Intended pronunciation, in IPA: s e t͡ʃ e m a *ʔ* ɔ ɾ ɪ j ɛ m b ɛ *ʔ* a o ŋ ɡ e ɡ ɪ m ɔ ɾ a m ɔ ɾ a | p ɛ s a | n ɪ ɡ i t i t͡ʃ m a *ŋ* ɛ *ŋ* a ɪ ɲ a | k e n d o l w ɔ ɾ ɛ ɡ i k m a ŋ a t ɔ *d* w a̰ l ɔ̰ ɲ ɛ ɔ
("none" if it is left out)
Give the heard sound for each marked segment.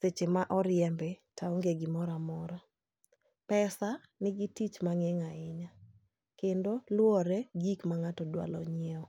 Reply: ʔ, t, ŋ, ŋ, d

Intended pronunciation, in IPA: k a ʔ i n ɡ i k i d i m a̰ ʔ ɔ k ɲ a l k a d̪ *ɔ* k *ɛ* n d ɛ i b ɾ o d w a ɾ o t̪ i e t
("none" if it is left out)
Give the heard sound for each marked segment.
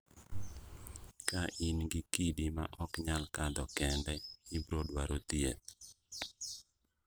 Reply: ɔ, ɛ

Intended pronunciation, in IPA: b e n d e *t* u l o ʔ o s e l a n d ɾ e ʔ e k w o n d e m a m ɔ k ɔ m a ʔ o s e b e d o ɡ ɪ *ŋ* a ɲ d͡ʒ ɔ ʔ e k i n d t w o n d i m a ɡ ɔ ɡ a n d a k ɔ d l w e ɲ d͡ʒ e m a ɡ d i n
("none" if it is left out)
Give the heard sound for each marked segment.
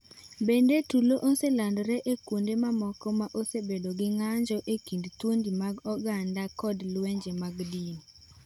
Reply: t, ŋ

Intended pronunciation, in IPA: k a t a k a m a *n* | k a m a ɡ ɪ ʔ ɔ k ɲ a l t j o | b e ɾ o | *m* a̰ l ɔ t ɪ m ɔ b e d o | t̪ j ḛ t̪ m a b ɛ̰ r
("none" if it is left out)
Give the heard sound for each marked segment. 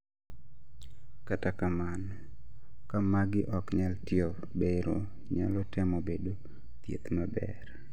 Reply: n, ɲ

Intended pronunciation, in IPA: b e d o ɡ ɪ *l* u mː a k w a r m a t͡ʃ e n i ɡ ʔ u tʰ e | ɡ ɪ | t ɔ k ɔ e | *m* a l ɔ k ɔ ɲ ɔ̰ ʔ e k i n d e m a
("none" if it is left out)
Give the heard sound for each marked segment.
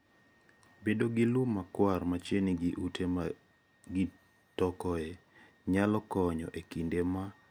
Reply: l, ɲ

